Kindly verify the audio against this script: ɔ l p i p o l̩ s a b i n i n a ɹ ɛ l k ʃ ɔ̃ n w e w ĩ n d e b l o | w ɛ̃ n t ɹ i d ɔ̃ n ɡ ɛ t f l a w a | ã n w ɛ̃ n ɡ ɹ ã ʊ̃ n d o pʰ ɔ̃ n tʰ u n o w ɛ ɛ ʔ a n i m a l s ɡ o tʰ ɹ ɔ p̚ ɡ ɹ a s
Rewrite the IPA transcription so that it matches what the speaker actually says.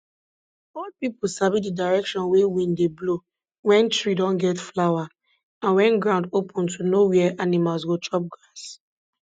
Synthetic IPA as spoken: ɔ l p i p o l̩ s a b i d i d a ɹ ɛ k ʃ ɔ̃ n w e w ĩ n d e b l o | w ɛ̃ n t ɹ i d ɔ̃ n ɡ ɛ t f l a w a | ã n w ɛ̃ n ɡ ɹ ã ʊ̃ n d o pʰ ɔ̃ n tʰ u n o w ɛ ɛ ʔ a n i m a l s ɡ o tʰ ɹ ɔ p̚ ɡ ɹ a s